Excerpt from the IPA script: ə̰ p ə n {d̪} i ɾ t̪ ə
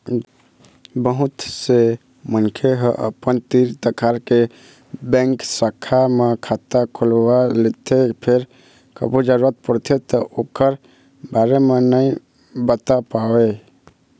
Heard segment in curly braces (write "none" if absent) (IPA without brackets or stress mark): t̪